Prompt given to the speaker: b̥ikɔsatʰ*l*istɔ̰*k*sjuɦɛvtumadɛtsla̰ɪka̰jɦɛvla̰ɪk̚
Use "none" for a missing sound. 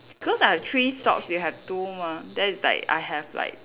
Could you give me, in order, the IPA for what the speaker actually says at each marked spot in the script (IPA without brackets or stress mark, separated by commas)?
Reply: ɹ, k